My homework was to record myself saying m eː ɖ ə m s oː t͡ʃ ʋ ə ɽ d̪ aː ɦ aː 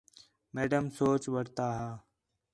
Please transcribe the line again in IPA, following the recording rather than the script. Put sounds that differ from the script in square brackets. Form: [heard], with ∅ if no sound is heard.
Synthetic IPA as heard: m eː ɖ ə m s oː t͡ʃ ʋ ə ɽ [t̪] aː ɦ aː